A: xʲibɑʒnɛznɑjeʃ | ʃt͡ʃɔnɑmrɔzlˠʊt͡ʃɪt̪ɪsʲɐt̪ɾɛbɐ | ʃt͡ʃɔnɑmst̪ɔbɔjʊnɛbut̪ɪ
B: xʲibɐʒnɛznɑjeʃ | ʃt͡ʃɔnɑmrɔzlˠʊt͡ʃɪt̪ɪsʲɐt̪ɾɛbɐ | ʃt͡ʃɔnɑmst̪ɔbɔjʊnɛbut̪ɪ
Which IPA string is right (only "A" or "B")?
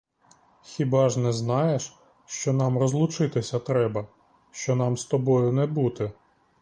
A